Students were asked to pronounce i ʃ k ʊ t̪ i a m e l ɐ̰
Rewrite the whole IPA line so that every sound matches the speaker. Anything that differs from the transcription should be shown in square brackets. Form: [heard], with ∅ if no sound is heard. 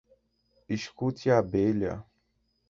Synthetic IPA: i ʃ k [u] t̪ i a [b] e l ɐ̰

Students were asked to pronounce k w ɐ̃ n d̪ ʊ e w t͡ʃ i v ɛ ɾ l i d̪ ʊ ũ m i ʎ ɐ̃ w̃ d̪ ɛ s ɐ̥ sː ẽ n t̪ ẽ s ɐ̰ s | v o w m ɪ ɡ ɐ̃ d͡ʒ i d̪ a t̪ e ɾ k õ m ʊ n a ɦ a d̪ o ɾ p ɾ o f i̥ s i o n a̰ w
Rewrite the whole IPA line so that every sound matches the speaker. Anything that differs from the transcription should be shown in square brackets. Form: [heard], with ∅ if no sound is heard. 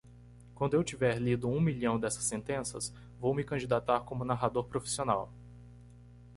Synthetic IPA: k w ɐ̃ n d̪ ʊ e w t͡ʃ i v ɛ ɾ l i d̪ ʊ ũ m i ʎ ɐ̃ w̃ d̪ ɛ s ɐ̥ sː ẽ n t̪ ẽ s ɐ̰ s | v o w m ɪ [k] ɐ̃ d͡ʒ i d̪ a t̪ [a] ɾ k õ m ʊ n a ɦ a d̪ o ɾ p ɾ o f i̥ s i o n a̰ w

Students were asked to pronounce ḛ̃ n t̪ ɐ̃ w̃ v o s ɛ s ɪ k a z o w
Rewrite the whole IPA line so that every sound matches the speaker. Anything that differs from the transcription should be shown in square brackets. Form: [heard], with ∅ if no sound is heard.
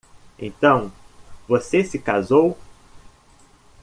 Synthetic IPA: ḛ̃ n t̪ ɐ̃ w̃ v o s [e] s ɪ k a z o w

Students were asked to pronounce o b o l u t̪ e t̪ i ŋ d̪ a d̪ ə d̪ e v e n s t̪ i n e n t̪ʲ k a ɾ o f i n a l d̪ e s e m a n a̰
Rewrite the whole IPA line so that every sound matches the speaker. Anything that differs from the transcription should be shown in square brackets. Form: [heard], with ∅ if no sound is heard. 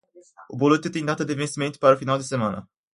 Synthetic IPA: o b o l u t̪ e t̪ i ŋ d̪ a [t̪] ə d̪ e v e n s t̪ i [m] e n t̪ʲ [p] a ɾ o f i n a l d̪ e s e m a n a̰

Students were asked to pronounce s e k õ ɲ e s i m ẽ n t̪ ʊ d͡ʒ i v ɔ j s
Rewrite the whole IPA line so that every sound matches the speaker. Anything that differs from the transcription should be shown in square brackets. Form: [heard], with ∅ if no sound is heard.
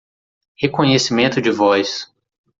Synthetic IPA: [h] e k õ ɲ e s i m ẽ n t̪ ʊ d͡ʒ [ɪ] v ɔ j s

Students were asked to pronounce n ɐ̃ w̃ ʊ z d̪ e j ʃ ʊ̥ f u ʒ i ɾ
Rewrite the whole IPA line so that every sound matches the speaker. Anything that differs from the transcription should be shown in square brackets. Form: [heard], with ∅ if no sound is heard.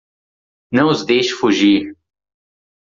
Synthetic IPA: n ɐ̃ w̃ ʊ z d̪ e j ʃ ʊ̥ f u ʒ i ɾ

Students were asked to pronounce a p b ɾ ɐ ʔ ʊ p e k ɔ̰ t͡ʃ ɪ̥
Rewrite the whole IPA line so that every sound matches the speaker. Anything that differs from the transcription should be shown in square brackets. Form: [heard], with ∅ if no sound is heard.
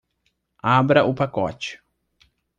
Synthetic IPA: a [∅] b ɾ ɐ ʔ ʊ p [a] k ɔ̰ t͡ʃ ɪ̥

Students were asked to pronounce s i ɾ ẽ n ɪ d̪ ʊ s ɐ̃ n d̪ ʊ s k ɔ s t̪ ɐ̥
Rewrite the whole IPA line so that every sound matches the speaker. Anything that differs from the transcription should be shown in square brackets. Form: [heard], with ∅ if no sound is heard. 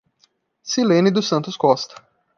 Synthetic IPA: s i [l] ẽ n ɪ d̪ ʊ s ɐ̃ n [t̪] ʊ s k ɔ s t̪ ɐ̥

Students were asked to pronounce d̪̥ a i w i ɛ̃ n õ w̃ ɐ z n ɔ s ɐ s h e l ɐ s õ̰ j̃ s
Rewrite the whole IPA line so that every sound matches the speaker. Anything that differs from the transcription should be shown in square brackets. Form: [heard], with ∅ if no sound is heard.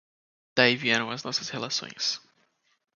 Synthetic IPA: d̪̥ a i [v] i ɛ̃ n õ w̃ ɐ z n ɔ s ɐ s h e l [a] s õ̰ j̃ s

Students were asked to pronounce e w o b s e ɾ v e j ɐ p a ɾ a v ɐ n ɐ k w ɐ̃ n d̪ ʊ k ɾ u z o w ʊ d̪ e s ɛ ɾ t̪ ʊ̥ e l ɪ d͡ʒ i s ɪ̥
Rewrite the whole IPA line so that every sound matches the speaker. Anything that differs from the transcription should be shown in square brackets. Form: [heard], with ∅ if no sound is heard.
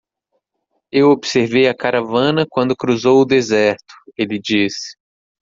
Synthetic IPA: e w o b s e ɾ v e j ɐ [k] a ɾ a v [ɐ̃] n ɐ k w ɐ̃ n d̪ ʊ k ɾ u z o w ʊ d̪ e [z] ɛ ɾ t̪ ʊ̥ e l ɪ d͡ʒ i s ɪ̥

